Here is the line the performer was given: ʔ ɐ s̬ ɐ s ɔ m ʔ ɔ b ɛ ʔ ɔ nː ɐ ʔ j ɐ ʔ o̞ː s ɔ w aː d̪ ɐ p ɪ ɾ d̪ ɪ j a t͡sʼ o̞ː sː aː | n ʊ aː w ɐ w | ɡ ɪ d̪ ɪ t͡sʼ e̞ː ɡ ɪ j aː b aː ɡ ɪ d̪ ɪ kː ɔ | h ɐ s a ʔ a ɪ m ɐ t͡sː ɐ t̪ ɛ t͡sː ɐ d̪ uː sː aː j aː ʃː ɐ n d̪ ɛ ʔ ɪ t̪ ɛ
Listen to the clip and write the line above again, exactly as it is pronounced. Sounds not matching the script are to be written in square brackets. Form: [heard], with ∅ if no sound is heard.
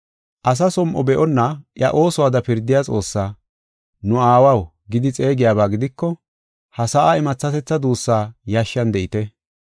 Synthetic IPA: ʔ ɐ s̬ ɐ s ɔ m ʔ ɔ b ɛ ʔ ɔ nː ɐ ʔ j ɐ ʔ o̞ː s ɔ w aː d̪ ɐ p ɪ ɾ d̪ ɪ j a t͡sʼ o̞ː sː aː | n ʊ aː w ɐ w | ɡ ɪ d̪ ɪ t͡sʼ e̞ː ɡ ɪ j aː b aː ɡ ɪ d̪ ɪ kː ɔ | h ɐ s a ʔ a ɪ m ɐ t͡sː ɐ t̪ ɛ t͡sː ɐ d̪ uː sː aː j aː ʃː ɐ n d̪ ɛ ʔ ɪ t̪ ɛ